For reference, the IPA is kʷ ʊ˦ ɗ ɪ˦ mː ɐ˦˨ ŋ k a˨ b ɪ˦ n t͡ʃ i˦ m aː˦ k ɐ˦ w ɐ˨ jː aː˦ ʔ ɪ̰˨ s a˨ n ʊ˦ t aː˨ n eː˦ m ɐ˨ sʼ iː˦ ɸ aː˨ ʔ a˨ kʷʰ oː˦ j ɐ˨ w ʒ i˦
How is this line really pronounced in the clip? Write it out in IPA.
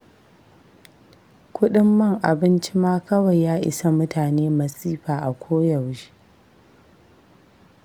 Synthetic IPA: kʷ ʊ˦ ɗ ɪ˦ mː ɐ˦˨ ŋ ʔ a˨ b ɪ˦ n t͡ʃ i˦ m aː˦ k ɐ˦ w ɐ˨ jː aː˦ ʔ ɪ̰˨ s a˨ m ʊ˦ t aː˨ n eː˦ m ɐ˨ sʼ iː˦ ɸ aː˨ ʔ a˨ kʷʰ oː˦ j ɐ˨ w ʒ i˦